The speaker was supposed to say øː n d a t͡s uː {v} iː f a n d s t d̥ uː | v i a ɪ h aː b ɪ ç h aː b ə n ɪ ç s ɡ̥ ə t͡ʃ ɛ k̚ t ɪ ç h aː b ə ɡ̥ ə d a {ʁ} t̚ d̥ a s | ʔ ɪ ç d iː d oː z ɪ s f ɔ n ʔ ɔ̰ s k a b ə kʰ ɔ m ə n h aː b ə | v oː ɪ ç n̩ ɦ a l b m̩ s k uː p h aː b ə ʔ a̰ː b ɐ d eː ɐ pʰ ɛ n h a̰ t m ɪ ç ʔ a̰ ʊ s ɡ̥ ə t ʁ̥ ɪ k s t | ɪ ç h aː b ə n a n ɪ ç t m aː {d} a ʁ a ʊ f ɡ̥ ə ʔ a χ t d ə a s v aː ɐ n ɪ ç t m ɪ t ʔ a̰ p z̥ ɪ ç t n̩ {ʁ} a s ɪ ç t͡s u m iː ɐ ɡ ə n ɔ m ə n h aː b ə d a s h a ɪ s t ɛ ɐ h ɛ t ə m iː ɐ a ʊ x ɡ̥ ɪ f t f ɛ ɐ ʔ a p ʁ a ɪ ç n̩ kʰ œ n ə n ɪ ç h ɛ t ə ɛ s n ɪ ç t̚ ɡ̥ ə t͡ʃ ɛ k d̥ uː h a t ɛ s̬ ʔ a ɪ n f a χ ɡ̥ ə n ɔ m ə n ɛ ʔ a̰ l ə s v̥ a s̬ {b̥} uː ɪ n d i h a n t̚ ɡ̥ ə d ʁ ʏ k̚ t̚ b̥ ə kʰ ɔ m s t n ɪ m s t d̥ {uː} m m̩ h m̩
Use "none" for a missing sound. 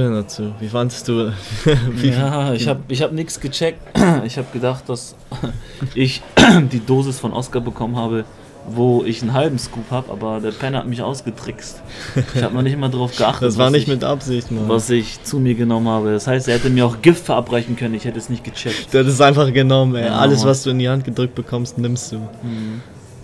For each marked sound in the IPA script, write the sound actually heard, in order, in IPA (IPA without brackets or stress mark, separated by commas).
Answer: v, χ, d, v, d̥, uː